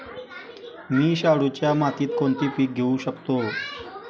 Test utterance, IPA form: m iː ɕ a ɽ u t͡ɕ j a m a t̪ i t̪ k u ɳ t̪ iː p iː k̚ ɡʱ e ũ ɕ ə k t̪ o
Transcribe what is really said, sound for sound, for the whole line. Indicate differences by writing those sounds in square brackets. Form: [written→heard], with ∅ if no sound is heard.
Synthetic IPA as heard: m iː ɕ a ɽ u t͡ɕ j a m a t̪ [i→iː] t̪ k [u→o] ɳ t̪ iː p iː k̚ ɡʱ e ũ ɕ ə k t̪ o

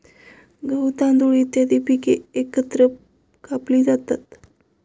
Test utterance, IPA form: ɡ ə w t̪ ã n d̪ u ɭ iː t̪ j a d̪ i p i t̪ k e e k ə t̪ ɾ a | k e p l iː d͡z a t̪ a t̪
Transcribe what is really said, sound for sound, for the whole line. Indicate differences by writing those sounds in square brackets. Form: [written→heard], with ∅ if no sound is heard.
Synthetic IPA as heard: ɡ ə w t̪ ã n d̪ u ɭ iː t̪ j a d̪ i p i [t̪→∅] k e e k ə t̪ ɾ [a→ə] | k [e→a] p l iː d͡z a t̪ a t̪

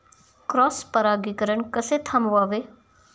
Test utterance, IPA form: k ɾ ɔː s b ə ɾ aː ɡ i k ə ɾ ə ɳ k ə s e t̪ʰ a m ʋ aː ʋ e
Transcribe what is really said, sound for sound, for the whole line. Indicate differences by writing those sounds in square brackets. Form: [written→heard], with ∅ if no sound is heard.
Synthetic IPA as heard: k ɾ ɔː s [b→p] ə ɾ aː ɡ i k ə ɾ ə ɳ k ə s e t̪ʰ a m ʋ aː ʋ e

